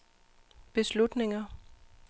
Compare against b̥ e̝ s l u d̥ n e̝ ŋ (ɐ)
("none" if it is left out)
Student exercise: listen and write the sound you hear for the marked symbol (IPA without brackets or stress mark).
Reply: ɐ